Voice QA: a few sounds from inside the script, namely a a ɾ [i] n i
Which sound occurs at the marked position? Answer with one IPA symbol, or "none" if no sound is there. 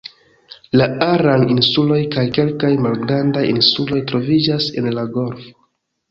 a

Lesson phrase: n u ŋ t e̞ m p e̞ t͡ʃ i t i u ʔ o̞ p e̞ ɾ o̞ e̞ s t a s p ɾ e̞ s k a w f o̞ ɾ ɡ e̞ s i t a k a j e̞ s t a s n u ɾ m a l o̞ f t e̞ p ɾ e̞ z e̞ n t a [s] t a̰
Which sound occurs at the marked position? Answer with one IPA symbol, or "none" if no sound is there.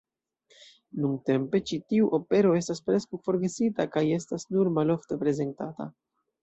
none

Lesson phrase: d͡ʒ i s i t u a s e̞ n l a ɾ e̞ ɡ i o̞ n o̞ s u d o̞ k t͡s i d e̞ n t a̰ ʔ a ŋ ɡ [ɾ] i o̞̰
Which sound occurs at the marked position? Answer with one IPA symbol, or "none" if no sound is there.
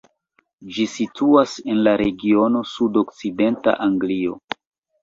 l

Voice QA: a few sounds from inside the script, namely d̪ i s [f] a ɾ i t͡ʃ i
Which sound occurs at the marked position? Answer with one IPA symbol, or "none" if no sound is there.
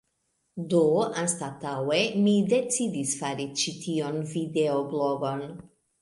f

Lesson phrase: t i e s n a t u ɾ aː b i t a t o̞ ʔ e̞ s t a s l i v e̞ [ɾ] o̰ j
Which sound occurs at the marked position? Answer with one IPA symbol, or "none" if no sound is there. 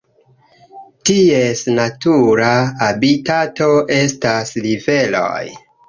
l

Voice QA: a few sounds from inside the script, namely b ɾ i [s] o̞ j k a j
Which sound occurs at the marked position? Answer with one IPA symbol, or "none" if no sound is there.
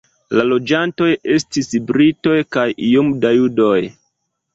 t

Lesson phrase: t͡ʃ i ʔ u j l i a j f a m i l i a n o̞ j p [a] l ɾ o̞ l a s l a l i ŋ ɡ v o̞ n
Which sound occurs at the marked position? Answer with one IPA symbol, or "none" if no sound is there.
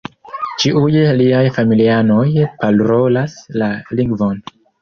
a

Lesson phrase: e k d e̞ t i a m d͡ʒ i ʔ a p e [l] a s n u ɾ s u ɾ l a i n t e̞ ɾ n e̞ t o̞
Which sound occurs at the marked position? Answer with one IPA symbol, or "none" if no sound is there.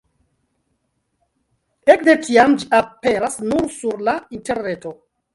ɾ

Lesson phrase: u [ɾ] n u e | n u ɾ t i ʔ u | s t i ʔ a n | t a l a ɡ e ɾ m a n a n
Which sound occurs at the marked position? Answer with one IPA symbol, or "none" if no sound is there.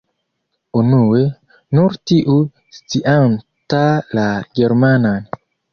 none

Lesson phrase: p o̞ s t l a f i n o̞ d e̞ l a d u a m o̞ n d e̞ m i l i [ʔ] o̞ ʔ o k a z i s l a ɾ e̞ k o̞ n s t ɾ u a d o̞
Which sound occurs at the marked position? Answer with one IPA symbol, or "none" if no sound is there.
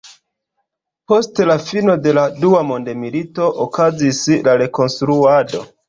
t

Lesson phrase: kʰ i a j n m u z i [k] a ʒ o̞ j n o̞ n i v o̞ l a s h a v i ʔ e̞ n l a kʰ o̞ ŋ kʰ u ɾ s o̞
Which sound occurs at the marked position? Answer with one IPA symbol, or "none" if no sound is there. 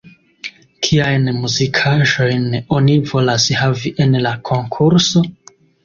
kʰ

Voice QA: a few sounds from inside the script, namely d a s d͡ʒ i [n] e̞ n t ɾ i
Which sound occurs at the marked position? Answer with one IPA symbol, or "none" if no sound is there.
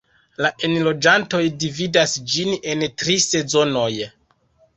n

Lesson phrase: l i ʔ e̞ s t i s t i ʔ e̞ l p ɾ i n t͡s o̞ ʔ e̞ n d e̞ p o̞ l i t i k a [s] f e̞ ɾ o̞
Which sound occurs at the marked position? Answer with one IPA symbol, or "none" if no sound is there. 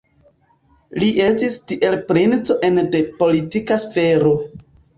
s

